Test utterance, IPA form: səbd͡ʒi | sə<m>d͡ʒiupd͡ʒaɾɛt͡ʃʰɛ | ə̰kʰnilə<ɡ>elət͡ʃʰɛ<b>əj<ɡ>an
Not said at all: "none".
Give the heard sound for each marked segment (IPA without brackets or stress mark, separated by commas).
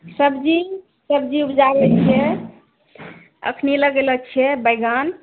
b, ɡ, b, ɡ